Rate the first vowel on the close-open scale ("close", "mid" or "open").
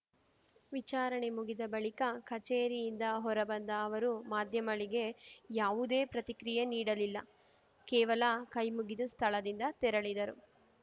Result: close